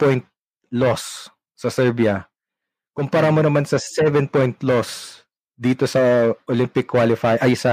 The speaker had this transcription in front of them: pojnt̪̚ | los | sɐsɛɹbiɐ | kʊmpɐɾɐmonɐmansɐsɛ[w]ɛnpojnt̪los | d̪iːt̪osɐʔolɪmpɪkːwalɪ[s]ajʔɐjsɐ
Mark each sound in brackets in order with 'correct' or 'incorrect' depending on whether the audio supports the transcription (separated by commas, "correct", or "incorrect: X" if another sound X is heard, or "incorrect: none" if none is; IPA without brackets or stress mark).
incorrect: v, incorrect: f